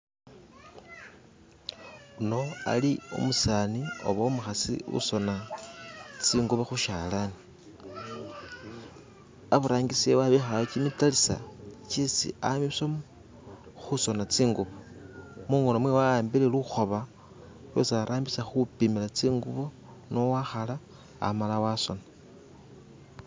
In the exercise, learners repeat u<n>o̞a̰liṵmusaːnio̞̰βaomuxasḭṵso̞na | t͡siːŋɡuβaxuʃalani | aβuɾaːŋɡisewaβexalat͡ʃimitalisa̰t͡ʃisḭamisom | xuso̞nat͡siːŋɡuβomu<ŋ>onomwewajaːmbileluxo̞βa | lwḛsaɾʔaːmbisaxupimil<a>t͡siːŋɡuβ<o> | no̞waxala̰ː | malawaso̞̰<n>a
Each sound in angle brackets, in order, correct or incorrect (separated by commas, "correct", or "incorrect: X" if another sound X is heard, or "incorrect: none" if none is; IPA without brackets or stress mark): correct, correct, correct, correct, correct